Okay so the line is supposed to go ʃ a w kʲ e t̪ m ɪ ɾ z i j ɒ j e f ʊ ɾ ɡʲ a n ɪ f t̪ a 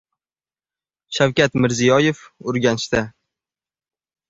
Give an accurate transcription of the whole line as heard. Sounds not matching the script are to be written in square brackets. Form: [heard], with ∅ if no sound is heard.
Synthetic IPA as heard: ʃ a w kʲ [a] t̪ m ɪ ɾ z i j ɒ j e f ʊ ɾ ɡʲ a n ɪ [ʃ] t̪ a